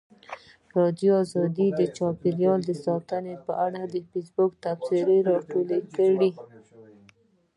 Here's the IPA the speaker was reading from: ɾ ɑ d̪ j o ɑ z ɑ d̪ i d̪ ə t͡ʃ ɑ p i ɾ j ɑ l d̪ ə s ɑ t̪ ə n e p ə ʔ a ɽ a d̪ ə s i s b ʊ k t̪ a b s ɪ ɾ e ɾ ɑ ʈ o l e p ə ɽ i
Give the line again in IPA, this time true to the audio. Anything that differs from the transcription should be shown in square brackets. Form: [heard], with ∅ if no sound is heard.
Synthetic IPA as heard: ɾ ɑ d̪ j o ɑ z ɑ d̪ i d̪ ə t͡ʃ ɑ p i ɾ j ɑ l d̪ ə s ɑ t̪ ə n e p ə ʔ a ɽ a d̪ ə [f] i s b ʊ k t̪ a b s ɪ ɾ e ɾ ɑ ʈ o l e [k] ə ɽ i

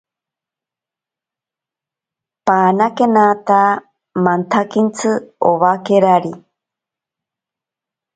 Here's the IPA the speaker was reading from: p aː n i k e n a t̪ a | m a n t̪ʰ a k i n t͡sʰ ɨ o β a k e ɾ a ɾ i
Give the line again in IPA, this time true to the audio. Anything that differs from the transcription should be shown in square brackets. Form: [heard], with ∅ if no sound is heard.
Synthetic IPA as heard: p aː n [a] k e n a t̪ a | m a n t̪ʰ a k i n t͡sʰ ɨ o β a k e ɾ a ɾ i

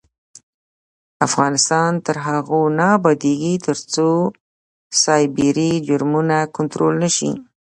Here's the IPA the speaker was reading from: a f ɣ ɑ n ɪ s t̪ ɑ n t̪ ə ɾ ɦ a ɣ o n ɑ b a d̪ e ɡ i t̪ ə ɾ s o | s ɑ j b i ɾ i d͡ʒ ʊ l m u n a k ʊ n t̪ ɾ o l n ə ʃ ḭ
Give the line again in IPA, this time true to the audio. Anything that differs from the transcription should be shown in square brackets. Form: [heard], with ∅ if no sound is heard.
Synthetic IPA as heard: a f ɣ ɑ n ɪ s t̪ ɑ n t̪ ə ɾ ɦ a ɣ o n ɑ b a d̪ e ɡ i t̪ ə ɾ [t͡s] o | s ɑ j b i ɾ i d͡ʒ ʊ [ɾ] m u n a k ʊ n t̪ ɾ o l n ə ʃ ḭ

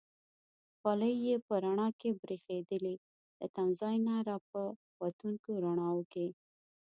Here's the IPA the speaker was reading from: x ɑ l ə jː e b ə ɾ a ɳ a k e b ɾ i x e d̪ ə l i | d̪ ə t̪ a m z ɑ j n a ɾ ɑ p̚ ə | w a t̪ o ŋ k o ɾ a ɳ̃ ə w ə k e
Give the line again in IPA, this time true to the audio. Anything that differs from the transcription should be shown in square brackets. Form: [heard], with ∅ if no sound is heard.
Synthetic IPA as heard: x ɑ l ə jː e [p] ə ɾ a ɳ [ɑ] k e b ɾ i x e d̪ ə l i | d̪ ə t̪ a m z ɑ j n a ɾ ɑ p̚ ə | w a t̪ [u] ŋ k o ɾ a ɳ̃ [ɑ] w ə k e

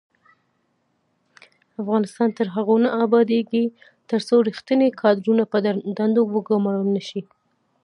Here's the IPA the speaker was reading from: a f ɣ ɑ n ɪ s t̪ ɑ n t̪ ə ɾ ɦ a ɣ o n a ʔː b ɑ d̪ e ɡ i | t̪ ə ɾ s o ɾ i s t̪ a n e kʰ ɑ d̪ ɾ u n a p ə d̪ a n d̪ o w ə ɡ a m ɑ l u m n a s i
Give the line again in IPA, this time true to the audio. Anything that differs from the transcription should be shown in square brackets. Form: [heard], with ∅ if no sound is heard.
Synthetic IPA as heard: a f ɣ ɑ n ɪ s t̪ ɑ n t̪ ə ɾ ɦ a ɣ o n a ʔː b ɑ d̪ e ɡ i | t̪ ə ɾ s o ɾ i [x] t̪ [ə] n e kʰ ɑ d̪ ɾ u n a p ə d̪ a n d̪ o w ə ɡ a m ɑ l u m n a [ʃ] i

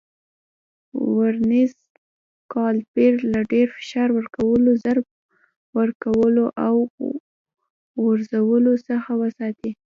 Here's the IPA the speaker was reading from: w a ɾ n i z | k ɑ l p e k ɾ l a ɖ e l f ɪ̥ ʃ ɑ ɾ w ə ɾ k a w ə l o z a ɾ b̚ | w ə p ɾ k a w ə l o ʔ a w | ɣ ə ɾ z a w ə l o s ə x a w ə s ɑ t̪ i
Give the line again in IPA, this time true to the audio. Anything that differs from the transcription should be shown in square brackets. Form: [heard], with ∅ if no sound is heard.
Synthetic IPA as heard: w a ɾ n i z | k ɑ l p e [∅] ɾ l a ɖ e [ɾ] f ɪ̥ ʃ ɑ ɾ w ə ɾ k a w ə l o z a ɾ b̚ | w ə [∅] ɾ k a w ə l o ʔ a w | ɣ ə ɾ z a w ə l o s ə x a w ə s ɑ t̪ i

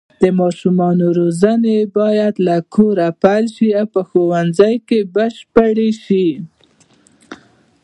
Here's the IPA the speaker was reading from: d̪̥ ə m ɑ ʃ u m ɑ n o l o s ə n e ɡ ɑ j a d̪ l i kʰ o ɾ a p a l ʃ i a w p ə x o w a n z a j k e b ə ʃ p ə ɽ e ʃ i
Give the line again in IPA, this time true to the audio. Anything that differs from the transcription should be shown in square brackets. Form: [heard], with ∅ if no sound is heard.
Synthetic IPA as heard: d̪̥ ə m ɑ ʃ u m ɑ n o [ɾ] o [z] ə n e [b] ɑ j a d̪ l [a] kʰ o ɾ a p a l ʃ i a w p ə x o w a n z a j k e b ə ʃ p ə ɽ e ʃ i

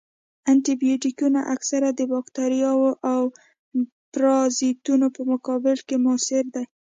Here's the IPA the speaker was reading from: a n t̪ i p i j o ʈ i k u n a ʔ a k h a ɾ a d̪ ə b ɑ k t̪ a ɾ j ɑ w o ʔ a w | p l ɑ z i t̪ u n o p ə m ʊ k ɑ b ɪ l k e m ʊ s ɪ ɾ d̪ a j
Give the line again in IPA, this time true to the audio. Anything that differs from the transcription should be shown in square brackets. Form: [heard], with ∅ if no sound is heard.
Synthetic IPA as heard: a n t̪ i [b] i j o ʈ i k u n a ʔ a k [s] a ɾ a d̪ ə b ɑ k t̪ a ɾ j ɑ w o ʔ a w | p [ɾ] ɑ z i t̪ u n o p ə m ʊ k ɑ b ɪ l k e m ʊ s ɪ ɾ d̪ a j

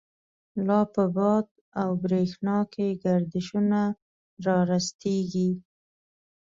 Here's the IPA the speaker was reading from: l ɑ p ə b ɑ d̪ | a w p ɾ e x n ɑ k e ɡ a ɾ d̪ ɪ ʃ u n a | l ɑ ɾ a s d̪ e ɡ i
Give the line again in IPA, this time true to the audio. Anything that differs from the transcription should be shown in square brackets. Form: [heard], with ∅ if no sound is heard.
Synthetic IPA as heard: l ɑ p ə b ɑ d̪ | a w [b] ɾ e x n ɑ k e ɡ a ɾ d̪ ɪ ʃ u n a | [ɾ] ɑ ɾ a s [t̪] e ɡ i

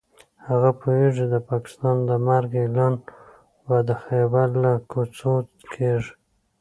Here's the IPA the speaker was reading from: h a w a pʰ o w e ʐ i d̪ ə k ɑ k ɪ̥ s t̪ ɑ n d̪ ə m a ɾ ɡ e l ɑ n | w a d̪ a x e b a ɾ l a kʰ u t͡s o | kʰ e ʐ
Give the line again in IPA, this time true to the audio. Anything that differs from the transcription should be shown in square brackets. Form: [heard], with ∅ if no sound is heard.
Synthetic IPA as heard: h a [ɣ] a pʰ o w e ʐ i d̪ ə [p] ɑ k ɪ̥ s t̪ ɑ n d̪ ə m a ɾ ɡ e l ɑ n | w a d̪ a x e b a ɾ l a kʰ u t͡s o | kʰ e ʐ

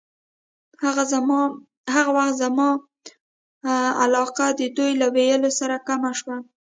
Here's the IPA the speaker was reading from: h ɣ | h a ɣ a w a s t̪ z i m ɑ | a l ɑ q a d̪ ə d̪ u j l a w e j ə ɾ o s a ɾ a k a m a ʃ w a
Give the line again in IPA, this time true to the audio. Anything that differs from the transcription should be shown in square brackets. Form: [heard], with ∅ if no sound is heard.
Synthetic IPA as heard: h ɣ | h a ɣ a w a [x] t̪ z [a] m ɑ | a l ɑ q a d̪ ə d̪ u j l a w e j ə [l] o s a ɾ a k a m a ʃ w a

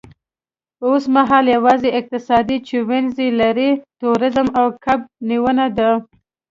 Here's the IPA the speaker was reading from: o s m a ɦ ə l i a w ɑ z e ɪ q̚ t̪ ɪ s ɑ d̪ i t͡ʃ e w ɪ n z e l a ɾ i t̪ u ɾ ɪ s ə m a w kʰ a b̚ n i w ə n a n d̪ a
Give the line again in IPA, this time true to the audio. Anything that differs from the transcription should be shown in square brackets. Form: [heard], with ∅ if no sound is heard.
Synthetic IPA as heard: o s m a ɦ [ɑ] l [j] a w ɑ z e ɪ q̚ t̪ ɪ s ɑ d̪ i t͡ʃ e w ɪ n z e l a ɾ i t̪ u ɾ ɪ [z] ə m a w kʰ a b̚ n i w ə n a [∅] d̪ a

